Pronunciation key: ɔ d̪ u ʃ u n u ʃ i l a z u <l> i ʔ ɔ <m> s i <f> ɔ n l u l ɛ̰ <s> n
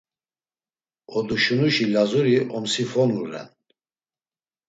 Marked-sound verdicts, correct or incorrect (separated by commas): incorrect, correct, correct, incorrect